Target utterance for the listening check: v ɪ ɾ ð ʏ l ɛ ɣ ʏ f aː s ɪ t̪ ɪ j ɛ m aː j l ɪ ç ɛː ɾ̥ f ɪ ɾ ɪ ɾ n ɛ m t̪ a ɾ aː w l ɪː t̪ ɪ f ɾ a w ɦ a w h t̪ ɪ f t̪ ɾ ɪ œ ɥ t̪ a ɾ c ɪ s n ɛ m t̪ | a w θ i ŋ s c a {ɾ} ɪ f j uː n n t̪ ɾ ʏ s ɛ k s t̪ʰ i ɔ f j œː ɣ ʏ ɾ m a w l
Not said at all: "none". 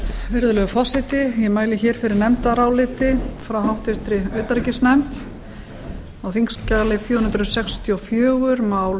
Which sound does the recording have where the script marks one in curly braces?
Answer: l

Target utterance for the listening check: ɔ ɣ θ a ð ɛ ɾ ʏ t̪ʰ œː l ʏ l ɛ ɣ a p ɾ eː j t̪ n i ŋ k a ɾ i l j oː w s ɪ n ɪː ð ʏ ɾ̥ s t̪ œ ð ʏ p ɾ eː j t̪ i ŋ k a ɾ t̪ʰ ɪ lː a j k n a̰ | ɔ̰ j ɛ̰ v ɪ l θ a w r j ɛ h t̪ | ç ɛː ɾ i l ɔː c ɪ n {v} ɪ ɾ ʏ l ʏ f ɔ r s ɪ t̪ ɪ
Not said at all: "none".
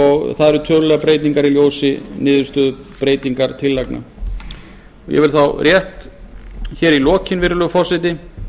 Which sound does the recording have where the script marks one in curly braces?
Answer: v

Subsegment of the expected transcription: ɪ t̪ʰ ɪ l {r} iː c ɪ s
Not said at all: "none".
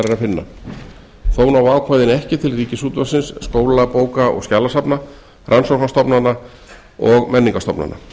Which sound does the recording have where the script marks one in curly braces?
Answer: r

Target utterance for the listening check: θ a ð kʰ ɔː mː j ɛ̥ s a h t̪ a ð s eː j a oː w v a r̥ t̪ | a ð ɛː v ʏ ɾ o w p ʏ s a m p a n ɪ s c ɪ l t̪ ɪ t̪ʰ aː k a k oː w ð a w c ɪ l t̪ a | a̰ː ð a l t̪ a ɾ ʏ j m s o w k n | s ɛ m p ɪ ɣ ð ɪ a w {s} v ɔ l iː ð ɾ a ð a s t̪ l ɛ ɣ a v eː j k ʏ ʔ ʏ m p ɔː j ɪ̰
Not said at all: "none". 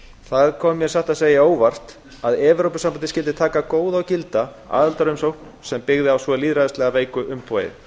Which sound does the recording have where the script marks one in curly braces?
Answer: s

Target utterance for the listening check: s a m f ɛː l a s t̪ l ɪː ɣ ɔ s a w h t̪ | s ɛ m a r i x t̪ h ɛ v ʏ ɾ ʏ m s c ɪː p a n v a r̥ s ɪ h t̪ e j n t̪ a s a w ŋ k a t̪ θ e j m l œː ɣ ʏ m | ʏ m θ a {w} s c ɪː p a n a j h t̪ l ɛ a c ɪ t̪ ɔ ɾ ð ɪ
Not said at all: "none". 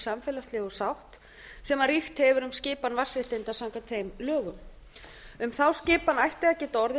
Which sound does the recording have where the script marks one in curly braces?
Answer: w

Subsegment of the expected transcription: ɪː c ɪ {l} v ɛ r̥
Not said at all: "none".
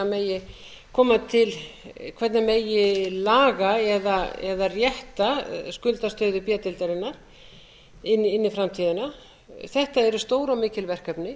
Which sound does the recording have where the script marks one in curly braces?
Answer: l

